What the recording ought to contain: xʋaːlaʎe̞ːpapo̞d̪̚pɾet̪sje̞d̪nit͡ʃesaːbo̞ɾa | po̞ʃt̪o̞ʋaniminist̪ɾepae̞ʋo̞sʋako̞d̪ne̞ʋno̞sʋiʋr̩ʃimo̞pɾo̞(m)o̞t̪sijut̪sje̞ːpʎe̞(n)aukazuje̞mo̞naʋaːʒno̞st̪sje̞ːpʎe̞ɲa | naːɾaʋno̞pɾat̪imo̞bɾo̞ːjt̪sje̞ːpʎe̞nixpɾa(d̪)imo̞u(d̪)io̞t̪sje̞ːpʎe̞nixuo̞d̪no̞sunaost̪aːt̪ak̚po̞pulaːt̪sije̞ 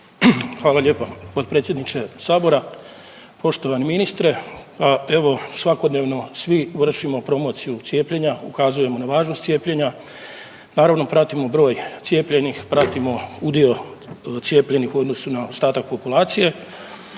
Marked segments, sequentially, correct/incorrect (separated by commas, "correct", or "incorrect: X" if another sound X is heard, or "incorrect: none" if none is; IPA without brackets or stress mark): correct, incorrect: ɲ, incorrect: t̪, correct